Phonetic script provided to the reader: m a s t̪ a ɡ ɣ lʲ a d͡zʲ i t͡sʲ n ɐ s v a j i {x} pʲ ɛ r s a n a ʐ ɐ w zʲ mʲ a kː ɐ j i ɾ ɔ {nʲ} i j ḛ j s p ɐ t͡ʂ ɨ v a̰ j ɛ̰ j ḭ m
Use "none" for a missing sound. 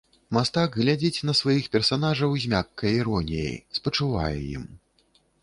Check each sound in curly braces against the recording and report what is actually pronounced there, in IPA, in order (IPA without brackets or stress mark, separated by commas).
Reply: x, nʲ